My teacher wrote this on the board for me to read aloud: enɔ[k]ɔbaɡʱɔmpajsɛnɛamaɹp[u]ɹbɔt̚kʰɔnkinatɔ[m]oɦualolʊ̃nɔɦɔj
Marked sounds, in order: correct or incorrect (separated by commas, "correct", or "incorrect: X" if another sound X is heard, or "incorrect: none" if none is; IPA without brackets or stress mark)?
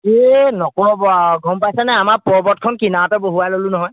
correct, incorrect: ɔ, incorrect: b